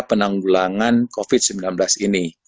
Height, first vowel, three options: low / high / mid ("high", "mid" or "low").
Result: mid